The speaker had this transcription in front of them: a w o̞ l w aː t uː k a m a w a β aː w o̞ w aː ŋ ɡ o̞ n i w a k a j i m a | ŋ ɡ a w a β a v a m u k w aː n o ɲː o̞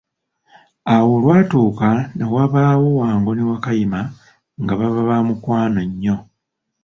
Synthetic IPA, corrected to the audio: a w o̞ l w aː t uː k a n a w a β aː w o̞ w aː ŋ ɡ o̞ n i w a k a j i m a | ŋ ɡ a β a β a β a m u k w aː n o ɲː o̞